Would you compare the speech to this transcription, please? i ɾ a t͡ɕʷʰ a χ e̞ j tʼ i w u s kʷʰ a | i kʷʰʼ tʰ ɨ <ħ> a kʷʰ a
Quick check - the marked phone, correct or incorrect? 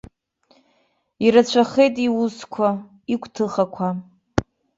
incorrect